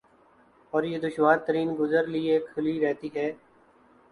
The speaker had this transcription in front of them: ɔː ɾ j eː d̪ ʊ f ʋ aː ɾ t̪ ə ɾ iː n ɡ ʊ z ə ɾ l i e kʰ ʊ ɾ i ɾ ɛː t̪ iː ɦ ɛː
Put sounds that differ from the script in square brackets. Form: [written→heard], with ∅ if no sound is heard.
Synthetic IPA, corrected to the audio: ɔː ɾ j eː d̪ ʊ [f→ʃ] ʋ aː ɾ t̪ ə ɾ iː n ɡ ʊ z ə ɾ l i e kʰ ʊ [ɾ→l] i ɾ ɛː t̪ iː ɦ ɛː